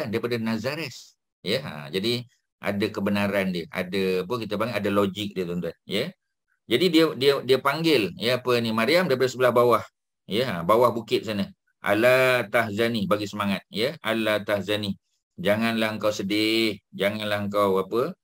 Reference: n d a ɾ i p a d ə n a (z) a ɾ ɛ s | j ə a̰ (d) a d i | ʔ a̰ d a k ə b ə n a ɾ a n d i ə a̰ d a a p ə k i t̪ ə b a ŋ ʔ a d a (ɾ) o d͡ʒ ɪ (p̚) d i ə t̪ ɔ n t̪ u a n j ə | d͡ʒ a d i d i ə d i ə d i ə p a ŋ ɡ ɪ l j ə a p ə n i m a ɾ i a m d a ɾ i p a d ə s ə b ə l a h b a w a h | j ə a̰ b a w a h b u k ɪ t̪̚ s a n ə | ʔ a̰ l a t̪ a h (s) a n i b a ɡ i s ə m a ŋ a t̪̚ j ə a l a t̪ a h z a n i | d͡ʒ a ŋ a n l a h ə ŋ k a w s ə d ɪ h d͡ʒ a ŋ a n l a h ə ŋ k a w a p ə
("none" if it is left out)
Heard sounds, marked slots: z, d͡ʒ, l, k̚, z

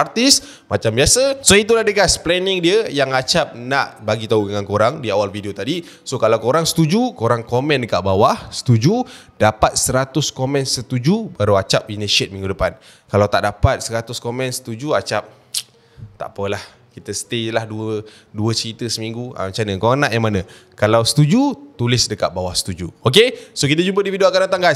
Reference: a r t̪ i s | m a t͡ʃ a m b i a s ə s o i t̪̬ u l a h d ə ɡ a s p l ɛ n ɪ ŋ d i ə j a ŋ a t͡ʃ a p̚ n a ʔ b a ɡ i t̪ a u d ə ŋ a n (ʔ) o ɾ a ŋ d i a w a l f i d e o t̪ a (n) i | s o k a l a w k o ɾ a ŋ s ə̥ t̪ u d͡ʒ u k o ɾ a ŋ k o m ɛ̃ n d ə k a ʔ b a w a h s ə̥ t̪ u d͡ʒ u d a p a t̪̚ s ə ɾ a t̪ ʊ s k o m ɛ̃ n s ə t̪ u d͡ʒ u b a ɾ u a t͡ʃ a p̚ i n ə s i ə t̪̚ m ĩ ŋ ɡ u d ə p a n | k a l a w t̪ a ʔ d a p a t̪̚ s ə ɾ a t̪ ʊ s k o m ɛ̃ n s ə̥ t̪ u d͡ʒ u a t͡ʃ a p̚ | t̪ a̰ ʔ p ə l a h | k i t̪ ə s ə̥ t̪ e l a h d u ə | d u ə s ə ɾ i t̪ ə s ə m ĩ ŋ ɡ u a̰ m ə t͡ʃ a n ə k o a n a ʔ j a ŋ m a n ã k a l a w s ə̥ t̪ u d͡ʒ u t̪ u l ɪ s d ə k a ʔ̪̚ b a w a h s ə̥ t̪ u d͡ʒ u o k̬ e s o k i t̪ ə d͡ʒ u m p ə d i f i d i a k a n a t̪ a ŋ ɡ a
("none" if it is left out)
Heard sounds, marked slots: k, d

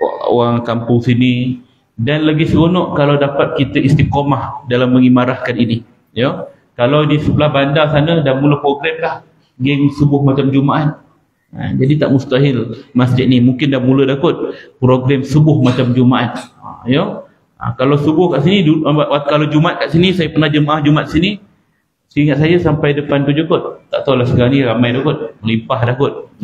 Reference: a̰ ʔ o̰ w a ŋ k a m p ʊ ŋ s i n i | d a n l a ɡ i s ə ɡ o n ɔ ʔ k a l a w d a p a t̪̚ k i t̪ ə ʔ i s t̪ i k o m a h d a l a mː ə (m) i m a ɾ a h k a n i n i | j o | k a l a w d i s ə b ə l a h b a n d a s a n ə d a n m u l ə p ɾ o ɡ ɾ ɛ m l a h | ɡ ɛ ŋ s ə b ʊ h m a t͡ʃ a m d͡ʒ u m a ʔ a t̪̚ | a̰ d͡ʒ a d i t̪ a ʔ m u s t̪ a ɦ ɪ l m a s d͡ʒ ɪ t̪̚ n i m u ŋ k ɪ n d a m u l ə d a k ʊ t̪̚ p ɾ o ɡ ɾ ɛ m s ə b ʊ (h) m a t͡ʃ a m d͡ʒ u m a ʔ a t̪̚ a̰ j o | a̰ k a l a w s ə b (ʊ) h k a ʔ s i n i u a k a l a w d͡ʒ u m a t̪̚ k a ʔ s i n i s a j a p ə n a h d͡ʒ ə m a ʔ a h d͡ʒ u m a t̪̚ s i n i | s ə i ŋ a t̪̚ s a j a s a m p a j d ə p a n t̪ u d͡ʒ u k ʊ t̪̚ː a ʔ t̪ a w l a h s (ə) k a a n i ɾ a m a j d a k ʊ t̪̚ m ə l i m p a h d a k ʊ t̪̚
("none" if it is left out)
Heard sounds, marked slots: ŋ, h, ʊ, ə

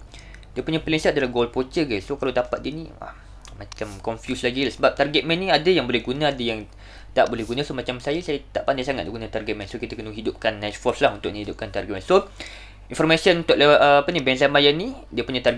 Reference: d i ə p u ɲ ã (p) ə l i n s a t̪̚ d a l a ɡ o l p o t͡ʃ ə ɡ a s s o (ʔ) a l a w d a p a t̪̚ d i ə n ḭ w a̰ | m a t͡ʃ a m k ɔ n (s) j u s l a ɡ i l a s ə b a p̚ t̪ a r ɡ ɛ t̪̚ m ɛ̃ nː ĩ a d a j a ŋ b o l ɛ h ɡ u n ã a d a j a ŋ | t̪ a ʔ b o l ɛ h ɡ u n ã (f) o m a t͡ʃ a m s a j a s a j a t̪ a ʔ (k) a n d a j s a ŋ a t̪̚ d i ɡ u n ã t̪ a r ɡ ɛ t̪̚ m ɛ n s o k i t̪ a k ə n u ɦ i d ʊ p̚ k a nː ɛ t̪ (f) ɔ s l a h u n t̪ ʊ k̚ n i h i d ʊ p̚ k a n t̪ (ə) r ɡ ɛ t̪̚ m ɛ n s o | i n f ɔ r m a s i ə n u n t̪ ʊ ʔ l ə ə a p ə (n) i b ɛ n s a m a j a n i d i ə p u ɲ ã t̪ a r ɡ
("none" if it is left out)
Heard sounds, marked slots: p, k, f, s, p, f, a, n

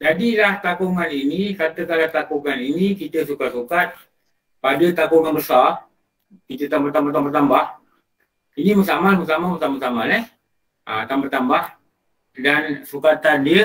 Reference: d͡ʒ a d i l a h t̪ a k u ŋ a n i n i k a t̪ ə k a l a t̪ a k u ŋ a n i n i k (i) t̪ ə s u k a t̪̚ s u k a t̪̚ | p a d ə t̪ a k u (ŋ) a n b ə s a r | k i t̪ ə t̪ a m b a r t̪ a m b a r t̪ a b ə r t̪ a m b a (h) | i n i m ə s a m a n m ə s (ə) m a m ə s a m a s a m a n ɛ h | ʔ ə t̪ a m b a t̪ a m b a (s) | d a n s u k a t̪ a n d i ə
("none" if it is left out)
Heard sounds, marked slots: i, ŋ, h, a, h

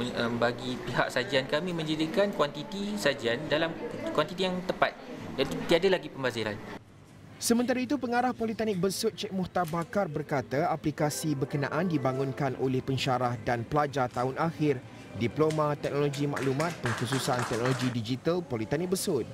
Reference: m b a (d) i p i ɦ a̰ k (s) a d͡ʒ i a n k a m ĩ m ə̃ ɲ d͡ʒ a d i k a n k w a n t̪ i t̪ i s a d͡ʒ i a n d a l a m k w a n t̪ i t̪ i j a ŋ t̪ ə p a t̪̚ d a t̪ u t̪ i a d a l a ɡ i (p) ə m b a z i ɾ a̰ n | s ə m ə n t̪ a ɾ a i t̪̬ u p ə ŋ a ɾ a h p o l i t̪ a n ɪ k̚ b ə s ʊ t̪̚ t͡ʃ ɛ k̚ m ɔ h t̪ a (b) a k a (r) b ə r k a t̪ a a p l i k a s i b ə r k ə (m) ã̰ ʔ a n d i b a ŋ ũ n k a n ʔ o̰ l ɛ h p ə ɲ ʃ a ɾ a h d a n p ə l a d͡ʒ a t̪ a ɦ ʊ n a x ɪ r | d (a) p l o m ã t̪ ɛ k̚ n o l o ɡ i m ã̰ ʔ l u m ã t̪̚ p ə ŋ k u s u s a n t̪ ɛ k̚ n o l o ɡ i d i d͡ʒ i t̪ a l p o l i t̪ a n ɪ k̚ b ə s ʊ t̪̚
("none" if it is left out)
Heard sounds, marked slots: ɡ, s, p, b, r, n, i

